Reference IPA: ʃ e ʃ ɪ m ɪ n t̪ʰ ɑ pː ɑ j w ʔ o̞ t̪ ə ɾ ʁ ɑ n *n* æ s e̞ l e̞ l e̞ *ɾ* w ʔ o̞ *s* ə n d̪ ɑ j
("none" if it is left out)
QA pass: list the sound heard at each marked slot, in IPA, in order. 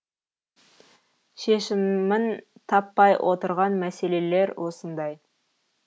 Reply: m, ɾ, s

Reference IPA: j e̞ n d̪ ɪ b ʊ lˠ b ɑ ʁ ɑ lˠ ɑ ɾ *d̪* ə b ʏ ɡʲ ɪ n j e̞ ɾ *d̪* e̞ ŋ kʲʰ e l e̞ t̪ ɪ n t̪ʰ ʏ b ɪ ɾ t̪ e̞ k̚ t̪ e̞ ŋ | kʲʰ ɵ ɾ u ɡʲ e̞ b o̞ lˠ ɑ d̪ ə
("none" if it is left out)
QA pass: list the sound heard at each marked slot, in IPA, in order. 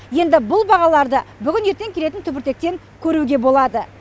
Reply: d̪, t̪

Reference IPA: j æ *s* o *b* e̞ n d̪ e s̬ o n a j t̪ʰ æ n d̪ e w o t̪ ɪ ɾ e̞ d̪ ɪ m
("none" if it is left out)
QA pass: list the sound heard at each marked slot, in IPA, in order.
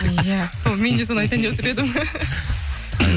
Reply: s, m

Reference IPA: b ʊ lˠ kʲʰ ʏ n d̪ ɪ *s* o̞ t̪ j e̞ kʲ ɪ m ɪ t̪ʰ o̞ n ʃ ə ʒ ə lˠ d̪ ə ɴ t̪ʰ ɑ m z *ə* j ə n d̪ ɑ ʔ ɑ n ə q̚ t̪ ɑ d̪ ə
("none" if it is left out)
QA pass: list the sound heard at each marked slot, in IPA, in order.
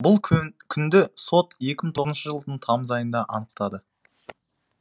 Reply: s, ɑ

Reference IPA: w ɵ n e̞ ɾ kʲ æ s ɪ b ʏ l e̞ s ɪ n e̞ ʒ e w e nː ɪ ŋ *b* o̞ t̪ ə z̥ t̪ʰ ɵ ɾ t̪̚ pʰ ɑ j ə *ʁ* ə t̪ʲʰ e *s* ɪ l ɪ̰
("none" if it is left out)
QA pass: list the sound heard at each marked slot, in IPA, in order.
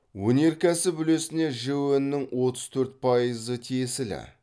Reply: w, z, s

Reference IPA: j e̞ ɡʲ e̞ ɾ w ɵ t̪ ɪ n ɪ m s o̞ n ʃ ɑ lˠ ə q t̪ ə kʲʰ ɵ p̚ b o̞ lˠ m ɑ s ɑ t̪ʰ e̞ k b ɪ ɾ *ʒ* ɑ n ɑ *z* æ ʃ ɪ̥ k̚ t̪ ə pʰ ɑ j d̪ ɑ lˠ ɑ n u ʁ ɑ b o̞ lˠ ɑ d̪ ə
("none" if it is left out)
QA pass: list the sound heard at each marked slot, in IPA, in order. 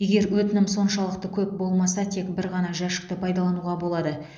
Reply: ʁ, ʒ

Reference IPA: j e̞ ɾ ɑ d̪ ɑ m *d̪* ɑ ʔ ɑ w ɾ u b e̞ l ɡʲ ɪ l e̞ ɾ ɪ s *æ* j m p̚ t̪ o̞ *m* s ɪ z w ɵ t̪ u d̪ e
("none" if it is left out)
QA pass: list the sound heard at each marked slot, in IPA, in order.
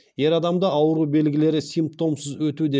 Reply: d̪, i, m

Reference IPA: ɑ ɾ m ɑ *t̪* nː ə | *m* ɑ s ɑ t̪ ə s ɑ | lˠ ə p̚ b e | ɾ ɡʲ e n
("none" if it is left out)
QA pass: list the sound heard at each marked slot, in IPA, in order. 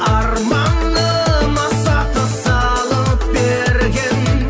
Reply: none, m

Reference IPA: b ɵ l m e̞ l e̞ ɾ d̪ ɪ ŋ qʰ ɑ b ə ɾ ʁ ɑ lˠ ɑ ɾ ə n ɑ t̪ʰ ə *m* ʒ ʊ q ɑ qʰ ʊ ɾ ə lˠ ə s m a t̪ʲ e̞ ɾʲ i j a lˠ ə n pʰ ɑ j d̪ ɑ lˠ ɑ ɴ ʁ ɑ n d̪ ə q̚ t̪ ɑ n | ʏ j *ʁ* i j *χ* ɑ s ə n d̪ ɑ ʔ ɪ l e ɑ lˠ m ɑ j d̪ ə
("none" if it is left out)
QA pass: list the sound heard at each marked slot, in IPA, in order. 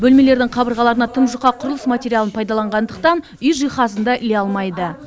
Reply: m, ʒ, χ

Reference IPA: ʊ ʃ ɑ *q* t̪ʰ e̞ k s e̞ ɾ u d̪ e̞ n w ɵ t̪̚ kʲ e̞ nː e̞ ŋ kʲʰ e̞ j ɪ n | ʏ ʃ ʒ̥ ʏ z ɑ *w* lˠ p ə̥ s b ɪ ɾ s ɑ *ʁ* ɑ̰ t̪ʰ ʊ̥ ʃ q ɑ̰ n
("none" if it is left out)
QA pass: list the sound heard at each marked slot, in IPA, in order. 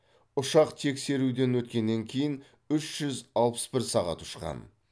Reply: q, none, ʁ

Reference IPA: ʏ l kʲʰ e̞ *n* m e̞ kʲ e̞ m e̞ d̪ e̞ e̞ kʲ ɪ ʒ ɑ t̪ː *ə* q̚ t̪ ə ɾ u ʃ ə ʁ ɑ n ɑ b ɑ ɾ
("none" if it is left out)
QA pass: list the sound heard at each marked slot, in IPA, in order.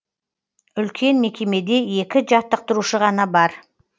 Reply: n, ə

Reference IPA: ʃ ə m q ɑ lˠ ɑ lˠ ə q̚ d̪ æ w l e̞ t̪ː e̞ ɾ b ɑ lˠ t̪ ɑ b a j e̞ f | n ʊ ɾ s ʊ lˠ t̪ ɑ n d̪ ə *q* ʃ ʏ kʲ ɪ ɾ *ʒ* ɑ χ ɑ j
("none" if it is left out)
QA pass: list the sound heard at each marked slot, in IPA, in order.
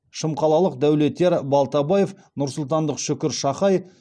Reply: q, ʃ

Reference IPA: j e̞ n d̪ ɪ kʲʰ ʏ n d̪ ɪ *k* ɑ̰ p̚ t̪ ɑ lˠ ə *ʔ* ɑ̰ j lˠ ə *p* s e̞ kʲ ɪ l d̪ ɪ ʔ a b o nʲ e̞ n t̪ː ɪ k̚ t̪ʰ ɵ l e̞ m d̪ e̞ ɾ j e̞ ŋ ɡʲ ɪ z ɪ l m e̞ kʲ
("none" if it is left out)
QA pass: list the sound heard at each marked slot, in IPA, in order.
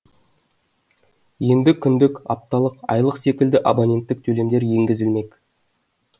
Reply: k, q, q

